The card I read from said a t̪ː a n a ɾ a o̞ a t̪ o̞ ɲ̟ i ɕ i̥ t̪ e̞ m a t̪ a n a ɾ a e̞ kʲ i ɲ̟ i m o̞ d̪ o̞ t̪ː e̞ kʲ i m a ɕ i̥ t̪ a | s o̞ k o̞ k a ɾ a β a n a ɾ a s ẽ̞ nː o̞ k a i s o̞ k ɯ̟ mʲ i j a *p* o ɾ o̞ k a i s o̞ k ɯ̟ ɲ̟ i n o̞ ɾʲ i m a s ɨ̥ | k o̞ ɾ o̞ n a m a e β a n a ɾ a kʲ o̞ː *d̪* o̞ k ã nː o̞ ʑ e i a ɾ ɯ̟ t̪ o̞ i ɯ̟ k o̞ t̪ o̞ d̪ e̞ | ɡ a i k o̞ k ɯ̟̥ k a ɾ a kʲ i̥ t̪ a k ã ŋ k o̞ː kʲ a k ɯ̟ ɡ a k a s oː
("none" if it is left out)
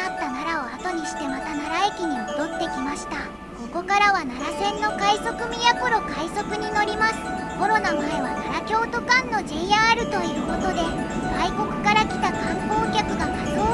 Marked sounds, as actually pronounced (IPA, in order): k, t̪

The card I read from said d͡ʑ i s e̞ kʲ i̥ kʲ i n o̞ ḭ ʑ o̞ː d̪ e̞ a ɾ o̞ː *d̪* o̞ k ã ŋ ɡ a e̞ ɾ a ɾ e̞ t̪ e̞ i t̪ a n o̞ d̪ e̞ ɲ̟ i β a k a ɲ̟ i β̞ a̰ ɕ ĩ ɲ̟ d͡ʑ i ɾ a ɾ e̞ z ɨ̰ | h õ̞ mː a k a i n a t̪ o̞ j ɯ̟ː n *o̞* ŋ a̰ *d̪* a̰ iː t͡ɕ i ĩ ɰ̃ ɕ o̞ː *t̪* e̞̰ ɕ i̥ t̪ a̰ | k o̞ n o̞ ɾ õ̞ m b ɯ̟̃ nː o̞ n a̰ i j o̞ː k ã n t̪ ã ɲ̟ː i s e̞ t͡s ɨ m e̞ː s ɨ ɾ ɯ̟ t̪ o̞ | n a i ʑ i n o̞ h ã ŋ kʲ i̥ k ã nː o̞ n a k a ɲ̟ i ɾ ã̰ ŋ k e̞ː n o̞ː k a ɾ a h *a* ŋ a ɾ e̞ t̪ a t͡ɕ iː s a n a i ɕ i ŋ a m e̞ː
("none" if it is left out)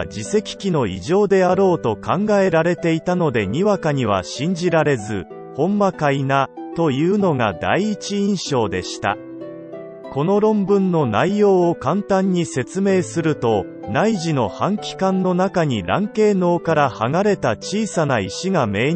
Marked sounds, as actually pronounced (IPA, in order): t̪, o̞, d̪, d̪, a

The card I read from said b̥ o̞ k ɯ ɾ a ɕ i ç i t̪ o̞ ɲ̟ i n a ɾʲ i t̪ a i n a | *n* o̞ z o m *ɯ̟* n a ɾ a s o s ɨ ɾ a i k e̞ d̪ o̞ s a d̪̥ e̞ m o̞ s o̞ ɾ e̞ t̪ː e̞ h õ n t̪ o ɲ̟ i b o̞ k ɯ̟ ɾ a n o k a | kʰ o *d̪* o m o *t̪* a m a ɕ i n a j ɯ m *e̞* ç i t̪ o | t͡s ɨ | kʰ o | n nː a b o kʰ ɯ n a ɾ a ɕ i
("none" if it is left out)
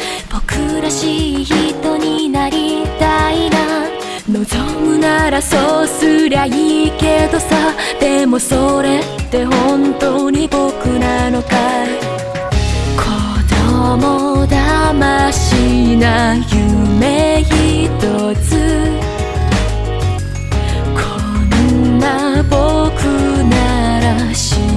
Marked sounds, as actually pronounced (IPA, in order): n, ɯ̟, d̪, d̪, e̞

